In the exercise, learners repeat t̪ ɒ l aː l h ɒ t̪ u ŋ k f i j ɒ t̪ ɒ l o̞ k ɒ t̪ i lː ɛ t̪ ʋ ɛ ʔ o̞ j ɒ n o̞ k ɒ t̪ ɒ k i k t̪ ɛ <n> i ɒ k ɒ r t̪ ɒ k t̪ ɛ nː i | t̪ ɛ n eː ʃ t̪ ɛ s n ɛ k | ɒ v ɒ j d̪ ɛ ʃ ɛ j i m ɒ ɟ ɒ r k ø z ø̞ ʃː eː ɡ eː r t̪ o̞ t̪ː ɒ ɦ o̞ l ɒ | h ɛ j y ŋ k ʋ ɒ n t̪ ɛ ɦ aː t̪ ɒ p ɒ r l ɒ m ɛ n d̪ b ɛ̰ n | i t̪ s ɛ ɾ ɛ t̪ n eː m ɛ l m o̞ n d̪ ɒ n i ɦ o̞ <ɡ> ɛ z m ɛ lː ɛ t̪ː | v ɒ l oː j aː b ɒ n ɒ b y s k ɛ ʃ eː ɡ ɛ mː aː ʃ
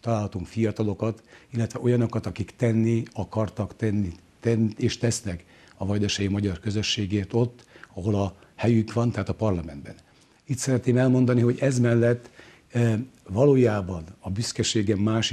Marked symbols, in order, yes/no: no, no

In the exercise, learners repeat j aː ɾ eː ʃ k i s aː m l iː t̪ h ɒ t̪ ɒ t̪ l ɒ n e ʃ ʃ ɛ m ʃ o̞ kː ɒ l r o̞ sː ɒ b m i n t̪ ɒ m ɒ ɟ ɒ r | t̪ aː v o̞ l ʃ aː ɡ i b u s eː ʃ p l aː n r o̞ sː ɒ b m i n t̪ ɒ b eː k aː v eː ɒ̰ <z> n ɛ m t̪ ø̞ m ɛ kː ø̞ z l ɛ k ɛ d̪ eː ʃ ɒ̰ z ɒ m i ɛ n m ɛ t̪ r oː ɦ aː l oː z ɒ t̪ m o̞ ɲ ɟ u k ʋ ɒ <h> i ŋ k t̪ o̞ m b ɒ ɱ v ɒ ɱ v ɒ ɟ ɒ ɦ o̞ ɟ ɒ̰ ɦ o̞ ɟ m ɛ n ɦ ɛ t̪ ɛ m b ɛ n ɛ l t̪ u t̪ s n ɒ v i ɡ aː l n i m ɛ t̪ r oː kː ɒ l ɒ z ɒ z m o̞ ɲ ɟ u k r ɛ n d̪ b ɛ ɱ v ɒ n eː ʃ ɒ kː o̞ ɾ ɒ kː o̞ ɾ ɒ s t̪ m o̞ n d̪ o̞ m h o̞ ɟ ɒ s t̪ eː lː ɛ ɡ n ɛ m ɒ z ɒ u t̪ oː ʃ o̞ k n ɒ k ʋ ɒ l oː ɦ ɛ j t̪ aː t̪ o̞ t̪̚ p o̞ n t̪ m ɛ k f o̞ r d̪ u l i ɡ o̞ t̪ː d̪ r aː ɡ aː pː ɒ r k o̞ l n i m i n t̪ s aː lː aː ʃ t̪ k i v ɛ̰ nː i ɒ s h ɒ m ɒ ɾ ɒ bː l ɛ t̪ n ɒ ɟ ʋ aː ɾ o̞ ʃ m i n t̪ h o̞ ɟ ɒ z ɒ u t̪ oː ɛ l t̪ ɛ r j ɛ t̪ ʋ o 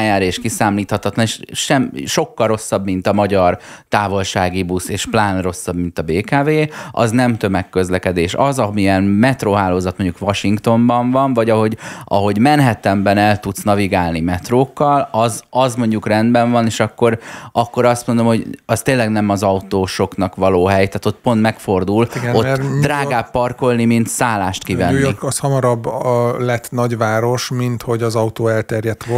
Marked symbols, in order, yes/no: yes, no

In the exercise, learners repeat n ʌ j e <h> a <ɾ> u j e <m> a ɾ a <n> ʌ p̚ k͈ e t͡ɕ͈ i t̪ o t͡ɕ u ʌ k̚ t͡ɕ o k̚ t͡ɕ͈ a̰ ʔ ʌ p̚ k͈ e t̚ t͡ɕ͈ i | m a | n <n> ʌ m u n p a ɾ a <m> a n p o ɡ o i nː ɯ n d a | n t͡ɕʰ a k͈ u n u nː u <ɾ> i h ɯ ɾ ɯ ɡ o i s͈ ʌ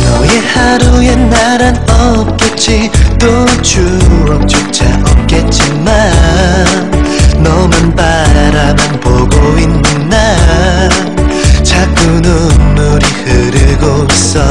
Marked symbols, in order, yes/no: yes, yes, no, yes, yes, yes, yes

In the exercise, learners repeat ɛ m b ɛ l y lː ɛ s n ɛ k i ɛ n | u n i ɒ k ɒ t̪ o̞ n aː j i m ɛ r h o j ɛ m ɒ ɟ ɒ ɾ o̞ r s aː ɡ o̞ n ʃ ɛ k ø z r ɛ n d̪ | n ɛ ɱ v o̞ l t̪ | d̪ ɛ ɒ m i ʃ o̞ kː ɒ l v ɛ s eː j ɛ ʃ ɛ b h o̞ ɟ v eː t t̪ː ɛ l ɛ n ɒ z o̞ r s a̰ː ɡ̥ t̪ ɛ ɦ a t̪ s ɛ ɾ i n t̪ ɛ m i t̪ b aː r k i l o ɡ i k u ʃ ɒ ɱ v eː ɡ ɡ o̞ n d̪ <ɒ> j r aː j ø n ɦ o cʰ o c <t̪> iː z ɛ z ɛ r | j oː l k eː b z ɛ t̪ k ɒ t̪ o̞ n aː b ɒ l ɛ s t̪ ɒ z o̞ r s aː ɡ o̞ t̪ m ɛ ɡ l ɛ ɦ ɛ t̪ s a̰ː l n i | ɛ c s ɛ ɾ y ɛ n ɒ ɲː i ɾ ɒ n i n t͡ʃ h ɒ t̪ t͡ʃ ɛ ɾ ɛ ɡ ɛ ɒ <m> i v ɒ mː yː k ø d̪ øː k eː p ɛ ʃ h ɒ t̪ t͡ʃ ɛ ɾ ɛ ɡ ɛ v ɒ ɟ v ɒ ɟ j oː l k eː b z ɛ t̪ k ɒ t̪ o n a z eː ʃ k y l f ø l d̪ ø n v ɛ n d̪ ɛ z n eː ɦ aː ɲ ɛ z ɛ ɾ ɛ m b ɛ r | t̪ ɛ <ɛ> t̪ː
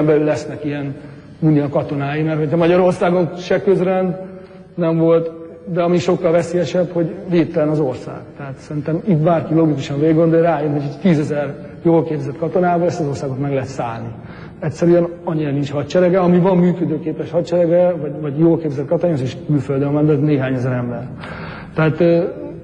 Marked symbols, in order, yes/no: no, yes, yes, no

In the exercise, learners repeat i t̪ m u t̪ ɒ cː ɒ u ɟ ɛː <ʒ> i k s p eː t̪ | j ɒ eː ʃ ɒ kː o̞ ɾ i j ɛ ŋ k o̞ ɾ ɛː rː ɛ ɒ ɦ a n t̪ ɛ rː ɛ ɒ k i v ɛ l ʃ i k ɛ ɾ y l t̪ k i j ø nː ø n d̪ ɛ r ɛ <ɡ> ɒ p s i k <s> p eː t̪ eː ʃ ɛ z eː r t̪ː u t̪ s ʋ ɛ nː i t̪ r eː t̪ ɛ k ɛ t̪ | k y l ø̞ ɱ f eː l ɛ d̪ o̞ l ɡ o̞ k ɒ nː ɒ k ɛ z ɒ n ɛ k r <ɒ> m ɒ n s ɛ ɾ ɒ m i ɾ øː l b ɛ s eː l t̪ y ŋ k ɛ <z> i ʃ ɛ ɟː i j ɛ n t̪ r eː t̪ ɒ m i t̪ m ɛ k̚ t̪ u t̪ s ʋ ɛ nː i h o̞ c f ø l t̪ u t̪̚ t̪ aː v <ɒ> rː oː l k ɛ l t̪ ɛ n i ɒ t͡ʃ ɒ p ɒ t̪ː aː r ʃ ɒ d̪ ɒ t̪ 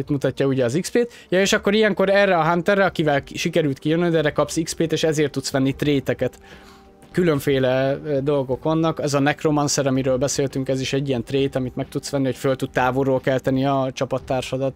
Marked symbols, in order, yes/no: no, no, yes, no, yes, no

